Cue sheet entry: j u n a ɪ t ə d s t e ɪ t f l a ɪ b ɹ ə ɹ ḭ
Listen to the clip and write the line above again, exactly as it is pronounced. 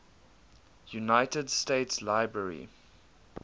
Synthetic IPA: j u n a ɪ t ə d s t e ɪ t s l a ɪ b ɹ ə ɹ ḭ